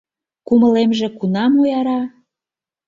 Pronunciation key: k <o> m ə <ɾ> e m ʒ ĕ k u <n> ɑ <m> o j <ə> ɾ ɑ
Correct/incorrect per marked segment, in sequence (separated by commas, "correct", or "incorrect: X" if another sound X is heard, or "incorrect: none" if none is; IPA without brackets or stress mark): incorrect: u, incorrect: l, correct, correct, incorrect: ɑ